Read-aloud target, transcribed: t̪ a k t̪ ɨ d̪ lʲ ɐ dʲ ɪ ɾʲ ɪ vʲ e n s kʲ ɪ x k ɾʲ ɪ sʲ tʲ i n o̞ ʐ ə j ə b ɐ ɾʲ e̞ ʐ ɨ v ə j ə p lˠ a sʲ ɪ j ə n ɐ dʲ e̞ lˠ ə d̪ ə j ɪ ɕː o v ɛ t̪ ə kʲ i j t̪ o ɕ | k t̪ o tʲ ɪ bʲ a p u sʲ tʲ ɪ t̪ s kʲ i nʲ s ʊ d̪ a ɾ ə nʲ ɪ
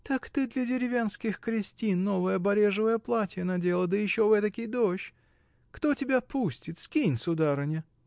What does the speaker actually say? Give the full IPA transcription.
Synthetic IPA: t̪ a k t̪ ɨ d̪ lʲ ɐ dʲ ɪ ɾʲ ɪ vʲ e n s kʲ ɪ x k ɾʲ ɪ sʲ tʲ i nː o̞ v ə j ə b ɐ ɾʲ e̞ ʐ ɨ v ə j ə p lˠ a tʲ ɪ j ə n ɐ dʲ e̞ lˠ ə d̪ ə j ɪ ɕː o v ɛ t̪ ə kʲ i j d̪ o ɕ | k t̪ o tʲ ɪ bʲ a p u sʲ tʲ ɪ t̪ s kʲ i nʲ s ʊ d̪ a ɾ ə nʲ ɪ

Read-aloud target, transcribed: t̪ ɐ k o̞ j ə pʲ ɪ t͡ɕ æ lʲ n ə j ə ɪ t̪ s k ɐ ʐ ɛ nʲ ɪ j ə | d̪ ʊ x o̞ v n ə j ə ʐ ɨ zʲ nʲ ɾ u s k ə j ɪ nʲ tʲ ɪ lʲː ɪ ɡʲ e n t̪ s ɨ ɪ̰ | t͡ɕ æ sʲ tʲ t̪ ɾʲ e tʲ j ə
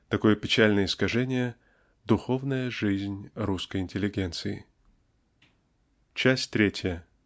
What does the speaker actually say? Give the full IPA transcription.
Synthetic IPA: t̪ ɐ k o̞ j ə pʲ ɪ t͡ɕ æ lʲ n ə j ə ɪ s k ɐ ʐ ɛ nʲ ɪ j ə | d̪ ʊ x o̞ v n ə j ə ʐ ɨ zʲ nʲ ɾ u s k ə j ɪ nʲ tʲ ɪ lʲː ɪ ɡʲ e n t̪ s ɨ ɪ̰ | t͡ɕ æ sʲ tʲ t̪ ɾʲ e tʲ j ə

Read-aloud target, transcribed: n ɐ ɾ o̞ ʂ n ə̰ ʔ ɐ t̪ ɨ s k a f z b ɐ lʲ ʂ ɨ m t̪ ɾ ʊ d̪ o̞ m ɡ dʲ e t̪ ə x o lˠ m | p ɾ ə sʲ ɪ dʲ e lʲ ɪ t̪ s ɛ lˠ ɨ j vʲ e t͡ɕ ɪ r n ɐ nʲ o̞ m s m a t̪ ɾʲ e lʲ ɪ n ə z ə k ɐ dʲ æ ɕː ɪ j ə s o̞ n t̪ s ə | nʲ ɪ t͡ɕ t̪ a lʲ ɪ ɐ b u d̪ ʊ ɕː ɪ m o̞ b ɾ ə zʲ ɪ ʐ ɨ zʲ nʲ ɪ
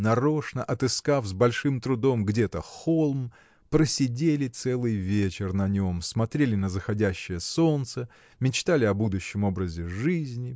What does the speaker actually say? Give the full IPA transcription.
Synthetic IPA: n ɐ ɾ o̞ ʂ n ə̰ ʔ ɐ t̪ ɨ s k a f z b ɐ lʲ ʂ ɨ m t̪ ɾ ʊ d̪ o̞ m ɡ dʲ e t̪ ə x o lˠ m | p ɾ ə sʲ ɪ dʲ e lʲ ɪ t̪ s ɛ lˠ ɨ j vʲ e t͡ɕ ɪ r n ɐ nʲ o̞ m s m ɐ t̪ ɾʲ e lʲ ɪ n ə z ə x ɐ dʲ æ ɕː ɪ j ə s o̞ n t̪ s ə | mʲ ɪ t͡ɕ t̪ a lʲ ɪ ɐ b u d̪ ʊ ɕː ɪ m o̞ b ɾ ə zʲ ɪ ʐ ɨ zʲ nʲ ɪ

